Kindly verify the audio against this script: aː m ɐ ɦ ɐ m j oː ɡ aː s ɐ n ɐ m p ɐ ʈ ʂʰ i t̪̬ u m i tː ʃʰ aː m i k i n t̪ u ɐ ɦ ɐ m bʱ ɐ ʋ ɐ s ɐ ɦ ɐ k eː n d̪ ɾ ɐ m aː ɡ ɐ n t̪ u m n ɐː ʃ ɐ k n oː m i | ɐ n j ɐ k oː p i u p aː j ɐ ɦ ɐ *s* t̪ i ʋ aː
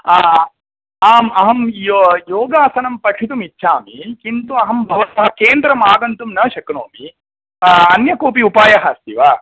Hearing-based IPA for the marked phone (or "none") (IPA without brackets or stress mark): s